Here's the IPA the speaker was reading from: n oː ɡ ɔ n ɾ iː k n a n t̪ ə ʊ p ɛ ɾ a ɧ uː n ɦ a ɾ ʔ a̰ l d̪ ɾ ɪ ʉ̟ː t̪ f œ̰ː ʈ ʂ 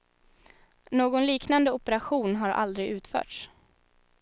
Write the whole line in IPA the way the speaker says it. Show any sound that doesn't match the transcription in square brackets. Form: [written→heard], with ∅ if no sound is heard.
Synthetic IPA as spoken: n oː ɡ ɔ n [ɾ→l] iː k n a n [t̪→d̪] ə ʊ p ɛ ɾ a ɧ uː n ɦ a ɾ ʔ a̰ l d̪ ɾ ɪ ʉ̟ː t̪ f œ̰ː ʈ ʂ